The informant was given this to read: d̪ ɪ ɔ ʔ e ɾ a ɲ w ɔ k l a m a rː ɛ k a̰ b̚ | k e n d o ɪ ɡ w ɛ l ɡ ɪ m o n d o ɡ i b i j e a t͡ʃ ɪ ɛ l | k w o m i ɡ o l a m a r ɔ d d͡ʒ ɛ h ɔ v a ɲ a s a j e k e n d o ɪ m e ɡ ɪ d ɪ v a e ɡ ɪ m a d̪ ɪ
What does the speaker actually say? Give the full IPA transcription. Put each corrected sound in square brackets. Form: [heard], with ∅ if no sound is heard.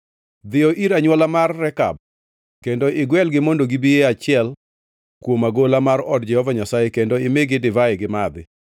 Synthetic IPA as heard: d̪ ɪ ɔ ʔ [i] ɾ a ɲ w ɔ [∅] l a m a rː ɛ k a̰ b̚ | k e n d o ɪ ɡ w ɛ l ɡ ɪ m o n d o ɡ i b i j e a t͡ʃ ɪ ɛ l | k w o m [a] ɡ o l a m a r ɔ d d͡ʒ ɛ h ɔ v a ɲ a s a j e k e n d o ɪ m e ɡ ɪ d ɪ v a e ɡ ɪ m a d̪ ɪ